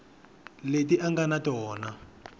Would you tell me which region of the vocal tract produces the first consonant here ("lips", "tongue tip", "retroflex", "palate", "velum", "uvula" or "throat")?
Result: tongue tip